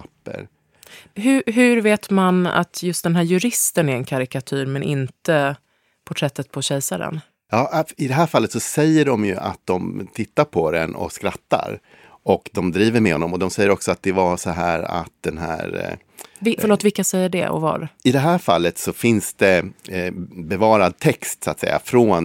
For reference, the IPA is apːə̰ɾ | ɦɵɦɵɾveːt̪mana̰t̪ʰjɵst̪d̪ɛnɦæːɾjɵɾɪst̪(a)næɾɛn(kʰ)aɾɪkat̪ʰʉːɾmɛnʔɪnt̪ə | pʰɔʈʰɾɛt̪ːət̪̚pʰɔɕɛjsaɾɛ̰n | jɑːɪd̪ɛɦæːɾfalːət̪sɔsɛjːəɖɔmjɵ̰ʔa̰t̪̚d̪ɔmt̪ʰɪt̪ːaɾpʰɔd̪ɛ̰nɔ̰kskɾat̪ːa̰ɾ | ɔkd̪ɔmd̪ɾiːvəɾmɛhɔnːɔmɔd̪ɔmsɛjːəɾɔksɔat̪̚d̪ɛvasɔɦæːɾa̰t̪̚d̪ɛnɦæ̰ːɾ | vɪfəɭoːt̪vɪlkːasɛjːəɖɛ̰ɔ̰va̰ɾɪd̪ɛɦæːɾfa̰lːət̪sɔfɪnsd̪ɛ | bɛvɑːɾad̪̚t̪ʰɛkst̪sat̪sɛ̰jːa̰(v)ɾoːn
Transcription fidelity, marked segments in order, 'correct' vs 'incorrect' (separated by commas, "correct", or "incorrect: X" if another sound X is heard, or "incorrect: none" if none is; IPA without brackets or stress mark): incorrect: ə, correct, incorrect: f